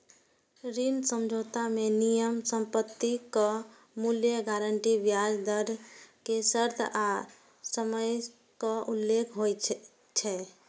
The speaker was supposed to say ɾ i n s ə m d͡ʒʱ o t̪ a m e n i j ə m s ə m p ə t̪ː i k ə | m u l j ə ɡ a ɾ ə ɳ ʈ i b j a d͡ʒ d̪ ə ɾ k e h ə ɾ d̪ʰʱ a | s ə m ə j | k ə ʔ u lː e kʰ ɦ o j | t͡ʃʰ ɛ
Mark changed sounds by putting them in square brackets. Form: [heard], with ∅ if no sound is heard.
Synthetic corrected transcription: ɾ i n s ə m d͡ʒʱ o t̪ a m e n i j ə m s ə m p ə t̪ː i k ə | m u l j ə ɡ a ɾ ə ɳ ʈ i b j a d͡ʒ d̪ ə ɾ k e [s] ə ɾ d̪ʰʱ a | s ə m ə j | k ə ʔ u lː e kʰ ɦ o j | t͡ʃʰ ɛ